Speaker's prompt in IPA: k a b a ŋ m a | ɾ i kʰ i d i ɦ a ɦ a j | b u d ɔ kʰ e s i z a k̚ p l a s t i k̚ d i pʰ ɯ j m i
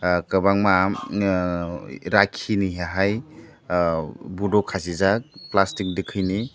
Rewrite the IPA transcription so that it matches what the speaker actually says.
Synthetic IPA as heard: k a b a ŋ m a | ɾ a kʰ i n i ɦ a ɦ a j | b u d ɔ kʰ a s i z a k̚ p l a s t i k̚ d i kʰ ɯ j n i

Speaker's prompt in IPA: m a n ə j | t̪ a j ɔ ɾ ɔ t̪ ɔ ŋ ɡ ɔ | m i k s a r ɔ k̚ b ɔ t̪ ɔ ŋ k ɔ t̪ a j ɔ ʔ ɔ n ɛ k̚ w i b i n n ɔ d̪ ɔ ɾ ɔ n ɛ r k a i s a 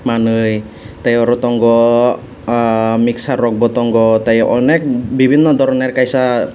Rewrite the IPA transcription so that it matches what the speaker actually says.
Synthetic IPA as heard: m a n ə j | t̪ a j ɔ ɾ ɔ t̪ ɔ ŋ ɡ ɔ | m i k s a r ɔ k̚ b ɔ t̪ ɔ ŋ ɡ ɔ t̪ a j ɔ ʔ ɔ n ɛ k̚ b i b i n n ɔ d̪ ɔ ɾ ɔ n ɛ r k a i s a

